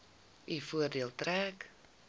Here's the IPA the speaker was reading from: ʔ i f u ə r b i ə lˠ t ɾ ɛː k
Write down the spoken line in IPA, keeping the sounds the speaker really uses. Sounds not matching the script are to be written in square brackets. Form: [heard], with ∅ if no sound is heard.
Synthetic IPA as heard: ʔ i f u ə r [d] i ə lˠ t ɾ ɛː k

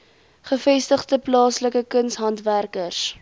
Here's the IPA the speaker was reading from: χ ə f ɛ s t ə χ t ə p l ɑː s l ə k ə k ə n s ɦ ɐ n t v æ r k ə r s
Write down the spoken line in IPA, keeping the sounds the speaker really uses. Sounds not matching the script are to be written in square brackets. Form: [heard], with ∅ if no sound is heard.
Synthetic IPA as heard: χ ə f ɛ s t ə χ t ə p l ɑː s l ə k ə k ə n s ɦ ɐ n t v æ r k ə r s

